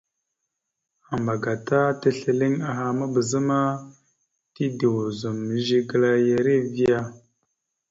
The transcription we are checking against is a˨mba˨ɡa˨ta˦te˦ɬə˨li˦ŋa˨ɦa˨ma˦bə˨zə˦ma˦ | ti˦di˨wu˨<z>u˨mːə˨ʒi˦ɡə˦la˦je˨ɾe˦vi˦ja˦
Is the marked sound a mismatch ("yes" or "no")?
no